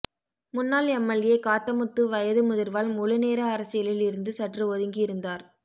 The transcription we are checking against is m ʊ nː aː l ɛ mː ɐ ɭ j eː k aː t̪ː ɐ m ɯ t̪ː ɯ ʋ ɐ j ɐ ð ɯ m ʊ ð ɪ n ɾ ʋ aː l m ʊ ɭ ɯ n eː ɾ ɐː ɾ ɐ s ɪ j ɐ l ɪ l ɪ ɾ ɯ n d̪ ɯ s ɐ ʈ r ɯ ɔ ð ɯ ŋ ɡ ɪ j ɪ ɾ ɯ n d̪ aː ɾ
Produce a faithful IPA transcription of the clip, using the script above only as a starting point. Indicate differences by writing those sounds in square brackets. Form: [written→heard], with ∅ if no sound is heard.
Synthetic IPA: m ʊ nː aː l ɛ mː ɐ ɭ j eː k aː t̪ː ɐ m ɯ t̪ː ɯ ʋ ɐ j ɐ ð ɯ m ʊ ð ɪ [n→∅] ɾ ʋ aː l m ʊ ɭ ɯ n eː ɾ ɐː ɾ ɐ s ɪ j ɐ l ɪ l ɪ ɾ ɯ n d̪ ɯ s ɐ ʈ r ɯ ɔ ð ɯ ŋ ɡ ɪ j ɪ ɾ ɯ n d̪ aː ɾ